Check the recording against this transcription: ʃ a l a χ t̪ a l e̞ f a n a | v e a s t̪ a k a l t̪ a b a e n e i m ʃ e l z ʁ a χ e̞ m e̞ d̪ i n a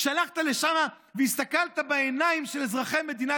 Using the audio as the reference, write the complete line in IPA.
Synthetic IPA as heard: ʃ a l a χ t̪ a l e̞ ʃ a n a | v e i s t̪ a k a l t̪ a b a e n a i m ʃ e l z ʁ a χ e̞ m e̞ d̪ i n a